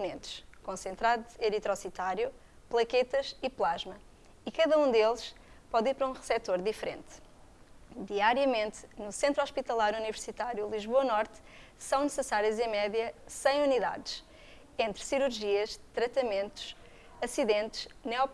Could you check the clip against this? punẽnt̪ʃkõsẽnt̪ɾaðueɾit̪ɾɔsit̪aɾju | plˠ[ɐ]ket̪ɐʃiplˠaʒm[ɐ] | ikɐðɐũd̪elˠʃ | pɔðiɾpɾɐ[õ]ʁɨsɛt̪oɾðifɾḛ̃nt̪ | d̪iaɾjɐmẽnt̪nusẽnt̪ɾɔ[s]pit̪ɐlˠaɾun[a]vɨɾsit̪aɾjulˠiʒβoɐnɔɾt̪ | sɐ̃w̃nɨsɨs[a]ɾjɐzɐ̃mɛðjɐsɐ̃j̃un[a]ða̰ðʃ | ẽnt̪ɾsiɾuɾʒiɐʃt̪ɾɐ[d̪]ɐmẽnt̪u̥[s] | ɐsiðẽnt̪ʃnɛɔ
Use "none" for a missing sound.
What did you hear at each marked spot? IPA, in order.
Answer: ɐ, ɐ, ũ, ʃ, i, a, i, t̪, ʃ

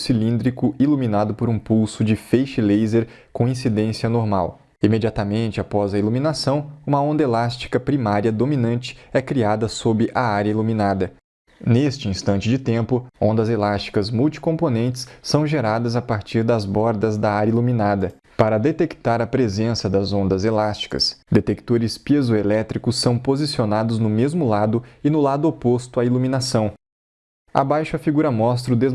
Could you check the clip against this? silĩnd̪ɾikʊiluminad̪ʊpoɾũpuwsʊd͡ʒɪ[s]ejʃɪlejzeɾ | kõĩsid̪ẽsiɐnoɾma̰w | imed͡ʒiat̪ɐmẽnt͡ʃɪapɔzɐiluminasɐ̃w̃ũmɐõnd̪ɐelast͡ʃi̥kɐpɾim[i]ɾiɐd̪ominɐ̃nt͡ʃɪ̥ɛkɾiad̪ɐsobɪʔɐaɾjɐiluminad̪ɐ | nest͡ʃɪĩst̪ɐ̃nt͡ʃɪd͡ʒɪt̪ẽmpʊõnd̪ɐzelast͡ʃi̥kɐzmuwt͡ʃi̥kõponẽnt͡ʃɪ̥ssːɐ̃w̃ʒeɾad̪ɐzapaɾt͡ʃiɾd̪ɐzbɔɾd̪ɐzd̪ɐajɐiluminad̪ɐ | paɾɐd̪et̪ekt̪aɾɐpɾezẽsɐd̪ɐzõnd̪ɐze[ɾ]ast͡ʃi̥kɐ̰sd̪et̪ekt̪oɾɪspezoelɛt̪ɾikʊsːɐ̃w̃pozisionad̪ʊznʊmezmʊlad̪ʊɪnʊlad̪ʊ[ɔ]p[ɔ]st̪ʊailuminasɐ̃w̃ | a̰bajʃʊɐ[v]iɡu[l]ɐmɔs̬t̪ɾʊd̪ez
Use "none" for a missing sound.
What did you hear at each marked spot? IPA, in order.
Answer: f, a, l, o, o, f, ɾ

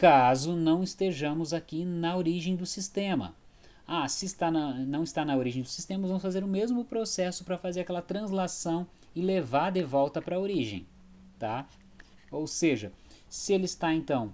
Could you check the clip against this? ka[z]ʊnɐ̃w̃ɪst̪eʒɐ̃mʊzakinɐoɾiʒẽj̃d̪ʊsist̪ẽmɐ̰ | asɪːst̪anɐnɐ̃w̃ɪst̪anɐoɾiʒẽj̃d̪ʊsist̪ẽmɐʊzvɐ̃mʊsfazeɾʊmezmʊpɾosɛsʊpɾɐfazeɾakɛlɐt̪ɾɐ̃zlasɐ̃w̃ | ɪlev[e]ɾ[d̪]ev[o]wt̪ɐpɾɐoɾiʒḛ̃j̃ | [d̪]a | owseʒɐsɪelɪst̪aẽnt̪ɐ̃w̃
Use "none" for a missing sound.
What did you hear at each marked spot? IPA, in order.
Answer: z, a, d̪, ɔ, t̪

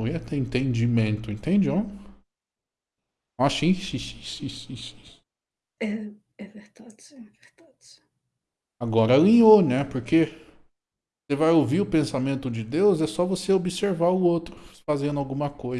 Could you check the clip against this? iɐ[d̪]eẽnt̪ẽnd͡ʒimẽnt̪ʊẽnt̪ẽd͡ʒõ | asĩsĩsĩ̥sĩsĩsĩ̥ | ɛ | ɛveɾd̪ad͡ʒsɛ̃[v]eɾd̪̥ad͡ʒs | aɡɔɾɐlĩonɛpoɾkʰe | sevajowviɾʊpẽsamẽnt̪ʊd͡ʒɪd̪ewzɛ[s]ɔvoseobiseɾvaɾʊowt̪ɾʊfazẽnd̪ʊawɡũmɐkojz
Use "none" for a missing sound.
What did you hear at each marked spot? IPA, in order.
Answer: t̪, v, s

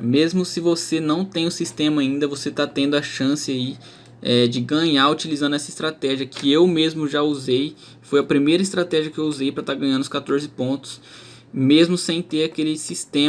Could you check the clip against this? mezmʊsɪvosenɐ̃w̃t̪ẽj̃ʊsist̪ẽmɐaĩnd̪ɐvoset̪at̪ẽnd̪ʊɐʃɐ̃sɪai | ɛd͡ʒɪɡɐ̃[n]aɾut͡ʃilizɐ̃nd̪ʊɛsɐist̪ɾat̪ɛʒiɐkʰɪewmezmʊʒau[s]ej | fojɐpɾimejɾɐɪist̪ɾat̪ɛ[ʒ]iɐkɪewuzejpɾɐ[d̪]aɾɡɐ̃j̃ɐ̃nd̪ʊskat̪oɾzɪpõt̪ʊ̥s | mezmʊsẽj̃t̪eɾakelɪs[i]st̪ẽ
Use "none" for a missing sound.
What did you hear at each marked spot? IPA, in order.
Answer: ɲ, z, ʒ, t̪, i

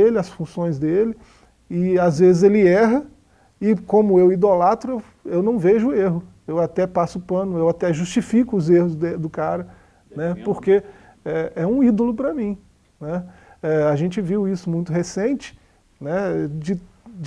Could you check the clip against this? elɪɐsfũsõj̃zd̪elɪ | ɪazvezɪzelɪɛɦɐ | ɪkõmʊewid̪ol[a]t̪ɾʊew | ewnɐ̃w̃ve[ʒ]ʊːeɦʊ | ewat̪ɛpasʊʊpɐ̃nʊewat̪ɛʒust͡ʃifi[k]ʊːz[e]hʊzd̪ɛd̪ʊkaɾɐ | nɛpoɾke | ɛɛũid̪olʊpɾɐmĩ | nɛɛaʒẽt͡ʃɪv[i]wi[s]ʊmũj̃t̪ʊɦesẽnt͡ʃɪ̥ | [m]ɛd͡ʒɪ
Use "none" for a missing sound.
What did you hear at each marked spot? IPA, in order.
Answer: a, ʒ, k, e, i, s, n

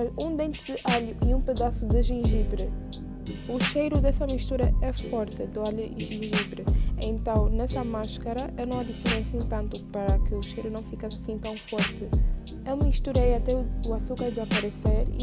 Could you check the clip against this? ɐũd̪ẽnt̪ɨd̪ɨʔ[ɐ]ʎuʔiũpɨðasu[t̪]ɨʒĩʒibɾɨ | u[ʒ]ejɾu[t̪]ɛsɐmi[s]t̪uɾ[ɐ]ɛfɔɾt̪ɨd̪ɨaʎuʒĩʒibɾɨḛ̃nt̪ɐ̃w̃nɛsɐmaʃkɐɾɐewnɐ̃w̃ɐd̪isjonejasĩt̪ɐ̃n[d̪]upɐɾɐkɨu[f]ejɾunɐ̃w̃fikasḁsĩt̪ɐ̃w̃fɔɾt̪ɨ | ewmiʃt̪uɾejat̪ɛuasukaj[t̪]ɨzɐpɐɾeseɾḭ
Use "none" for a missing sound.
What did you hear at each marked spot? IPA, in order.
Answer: a, d̪, ʃ, d̪, ʃ, ɐ, t̪, ʃ, d̪

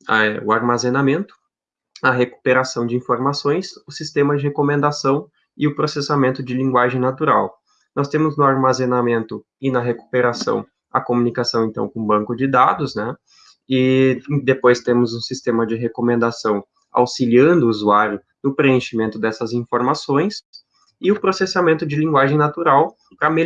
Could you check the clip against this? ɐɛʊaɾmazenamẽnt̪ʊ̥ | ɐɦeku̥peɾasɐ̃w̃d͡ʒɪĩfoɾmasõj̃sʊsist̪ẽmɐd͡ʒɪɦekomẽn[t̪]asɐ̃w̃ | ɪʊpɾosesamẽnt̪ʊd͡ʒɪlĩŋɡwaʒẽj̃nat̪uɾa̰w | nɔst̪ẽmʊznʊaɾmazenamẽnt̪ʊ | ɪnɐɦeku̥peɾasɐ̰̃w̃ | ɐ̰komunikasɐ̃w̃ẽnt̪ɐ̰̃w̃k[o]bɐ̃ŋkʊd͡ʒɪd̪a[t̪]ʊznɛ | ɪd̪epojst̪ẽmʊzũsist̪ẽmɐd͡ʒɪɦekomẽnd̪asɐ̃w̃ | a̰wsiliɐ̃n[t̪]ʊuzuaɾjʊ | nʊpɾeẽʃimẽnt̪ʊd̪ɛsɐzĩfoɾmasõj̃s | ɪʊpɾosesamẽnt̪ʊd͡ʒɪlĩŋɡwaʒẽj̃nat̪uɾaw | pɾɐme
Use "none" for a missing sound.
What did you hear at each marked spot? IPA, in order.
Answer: d̪, õ, d̪, d̪

